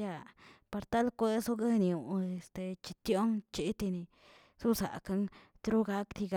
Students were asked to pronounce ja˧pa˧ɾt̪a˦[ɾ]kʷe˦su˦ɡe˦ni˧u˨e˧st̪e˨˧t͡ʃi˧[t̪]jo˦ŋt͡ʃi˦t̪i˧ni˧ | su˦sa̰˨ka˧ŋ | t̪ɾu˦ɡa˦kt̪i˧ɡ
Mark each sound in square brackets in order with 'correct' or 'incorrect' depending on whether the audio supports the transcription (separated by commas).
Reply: incorrect, correct